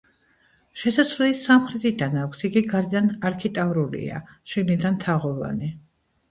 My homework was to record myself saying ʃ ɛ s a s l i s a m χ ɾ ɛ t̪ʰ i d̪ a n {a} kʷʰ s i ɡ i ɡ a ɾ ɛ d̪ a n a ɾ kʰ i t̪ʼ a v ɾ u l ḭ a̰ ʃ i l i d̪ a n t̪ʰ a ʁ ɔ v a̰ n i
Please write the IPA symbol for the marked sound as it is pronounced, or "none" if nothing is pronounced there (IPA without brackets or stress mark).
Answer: a